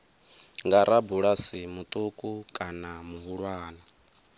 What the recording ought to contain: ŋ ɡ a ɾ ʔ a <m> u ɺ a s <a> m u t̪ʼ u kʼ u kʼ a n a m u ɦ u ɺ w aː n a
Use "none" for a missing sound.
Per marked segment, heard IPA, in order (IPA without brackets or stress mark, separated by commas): b, i